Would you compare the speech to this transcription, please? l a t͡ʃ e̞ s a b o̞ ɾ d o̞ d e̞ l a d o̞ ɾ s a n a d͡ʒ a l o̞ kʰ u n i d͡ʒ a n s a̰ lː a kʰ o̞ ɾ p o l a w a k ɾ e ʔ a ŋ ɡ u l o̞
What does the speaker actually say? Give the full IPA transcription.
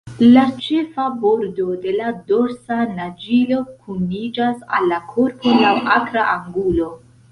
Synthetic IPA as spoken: l a t͡ʃ e̞ f a b o̞ ɾ d o̞ d e̞ l a d o̞ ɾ s a n a d͡ʒ i l o̞ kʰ u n i d͡ʒ a s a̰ lː a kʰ o̞ ɾ p o l a w a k ɾ a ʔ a ŋ ɡ u l o̞